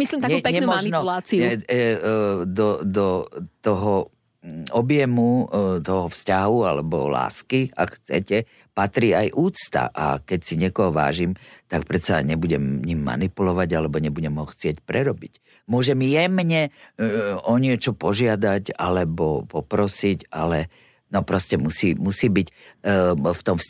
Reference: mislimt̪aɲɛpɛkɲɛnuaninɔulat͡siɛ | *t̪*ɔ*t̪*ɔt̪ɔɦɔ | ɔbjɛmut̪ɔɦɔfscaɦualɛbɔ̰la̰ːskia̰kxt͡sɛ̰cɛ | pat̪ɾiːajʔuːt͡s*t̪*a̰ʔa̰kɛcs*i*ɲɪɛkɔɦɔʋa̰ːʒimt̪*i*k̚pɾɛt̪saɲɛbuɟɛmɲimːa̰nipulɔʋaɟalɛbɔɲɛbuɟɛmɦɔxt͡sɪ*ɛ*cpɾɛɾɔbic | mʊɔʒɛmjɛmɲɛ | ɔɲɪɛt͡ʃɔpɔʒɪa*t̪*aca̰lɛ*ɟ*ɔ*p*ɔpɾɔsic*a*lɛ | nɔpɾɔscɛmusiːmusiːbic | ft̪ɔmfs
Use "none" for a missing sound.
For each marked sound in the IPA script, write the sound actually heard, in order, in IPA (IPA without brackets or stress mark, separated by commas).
d̪, d̪, t̪, i, a, ɛ, d̪, b, p, a